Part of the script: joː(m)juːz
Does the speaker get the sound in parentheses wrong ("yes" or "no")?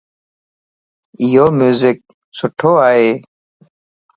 no